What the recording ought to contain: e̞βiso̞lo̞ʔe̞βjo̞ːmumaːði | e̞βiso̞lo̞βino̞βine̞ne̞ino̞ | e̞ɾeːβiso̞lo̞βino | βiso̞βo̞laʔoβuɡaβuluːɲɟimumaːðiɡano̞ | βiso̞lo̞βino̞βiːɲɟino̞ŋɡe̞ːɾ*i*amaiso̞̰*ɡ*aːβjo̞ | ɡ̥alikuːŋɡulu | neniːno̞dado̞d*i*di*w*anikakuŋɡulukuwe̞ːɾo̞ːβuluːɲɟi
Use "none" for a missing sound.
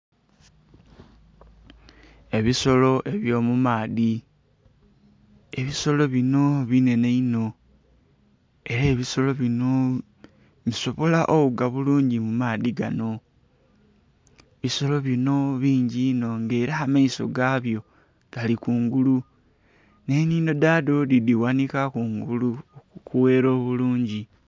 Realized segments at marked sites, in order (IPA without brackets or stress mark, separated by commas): a, ɡ, i, w